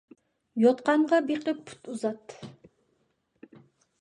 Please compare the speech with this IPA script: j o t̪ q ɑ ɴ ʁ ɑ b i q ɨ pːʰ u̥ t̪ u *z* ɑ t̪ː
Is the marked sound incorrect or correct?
correct